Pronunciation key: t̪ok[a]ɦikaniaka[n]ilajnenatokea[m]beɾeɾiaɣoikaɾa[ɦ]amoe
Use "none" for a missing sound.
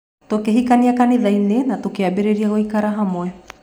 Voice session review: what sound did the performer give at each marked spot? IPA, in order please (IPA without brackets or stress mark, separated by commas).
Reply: e, n, none, ɦ